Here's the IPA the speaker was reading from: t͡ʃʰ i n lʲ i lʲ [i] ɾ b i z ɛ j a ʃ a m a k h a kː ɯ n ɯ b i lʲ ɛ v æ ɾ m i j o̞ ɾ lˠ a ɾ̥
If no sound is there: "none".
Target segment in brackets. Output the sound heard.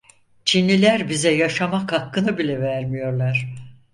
æ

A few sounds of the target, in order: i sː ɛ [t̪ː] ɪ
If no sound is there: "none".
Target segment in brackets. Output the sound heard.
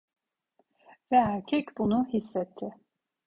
t̪ʰː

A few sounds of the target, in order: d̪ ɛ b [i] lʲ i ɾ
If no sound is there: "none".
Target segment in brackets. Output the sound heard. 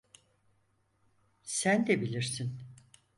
i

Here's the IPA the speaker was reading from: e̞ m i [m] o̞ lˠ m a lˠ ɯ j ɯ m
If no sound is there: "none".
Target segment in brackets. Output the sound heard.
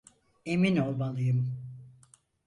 n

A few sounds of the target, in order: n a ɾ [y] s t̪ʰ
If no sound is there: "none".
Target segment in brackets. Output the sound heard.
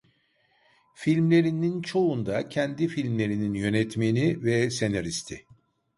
i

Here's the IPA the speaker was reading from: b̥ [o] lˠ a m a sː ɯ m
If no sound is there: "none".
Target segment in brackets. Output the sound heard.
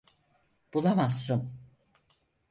u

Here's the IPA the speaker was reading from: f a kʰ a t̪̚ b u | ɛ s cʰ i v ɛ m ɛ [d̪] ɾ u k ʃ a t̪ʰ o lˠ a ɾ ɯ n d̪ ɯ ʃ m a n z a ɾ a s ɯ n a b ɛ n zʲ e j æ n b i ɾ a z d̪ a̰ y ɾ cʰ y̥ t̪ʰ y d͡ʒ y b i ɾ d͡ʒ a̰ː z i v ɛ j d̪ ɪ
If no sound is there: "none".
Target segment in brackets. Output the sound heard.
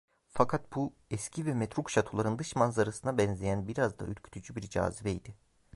t̪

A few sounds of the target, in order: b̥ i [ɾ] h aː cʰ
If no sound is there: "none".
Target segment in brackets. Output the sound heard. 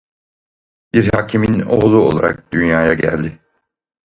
ɾ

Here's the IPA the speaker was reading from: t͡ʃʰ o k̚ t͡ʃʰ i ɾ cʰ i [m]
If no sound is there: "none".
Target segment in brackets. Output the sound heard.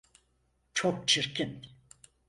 n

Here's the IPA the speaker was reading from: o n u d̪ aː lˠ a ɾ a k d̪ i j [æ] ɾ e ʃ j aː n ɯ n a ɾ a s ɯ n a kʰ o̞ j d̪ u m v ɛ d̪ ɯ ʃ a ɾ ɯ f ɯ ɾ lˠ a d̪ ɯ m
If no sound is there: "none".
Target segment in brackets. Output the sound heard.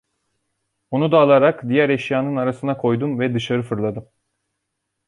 æ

